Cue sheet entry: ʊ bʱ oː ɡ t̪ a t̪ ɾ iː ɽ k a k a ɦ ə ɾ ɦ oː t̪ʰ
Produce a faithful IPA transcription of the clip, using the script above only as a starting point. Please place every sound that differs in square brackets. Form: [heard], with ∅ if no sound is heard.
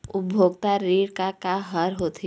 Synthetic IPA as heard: ʊ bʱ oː ɡ t̪ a [∅] ɾ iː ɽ k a k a ɦ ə ɾ ɦ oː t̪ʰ